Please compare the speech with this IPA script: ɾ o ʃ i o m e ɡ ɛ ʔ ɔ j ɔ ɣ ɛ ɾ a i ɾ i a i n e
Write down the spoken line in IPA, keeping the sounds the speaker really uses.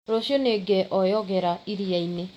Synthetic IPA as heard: ɾ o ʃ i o n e ɡ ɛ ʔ ɔ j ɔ ɣ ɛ ɾ a i ɾ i a i n e